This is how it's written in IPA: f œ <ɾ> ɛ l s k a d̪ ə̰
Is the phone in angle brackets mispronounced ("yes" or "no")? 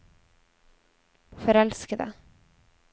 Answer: no